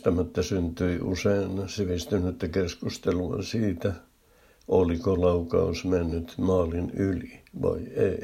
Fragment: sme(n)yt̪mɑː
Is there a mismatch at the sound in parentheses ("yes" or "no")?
yes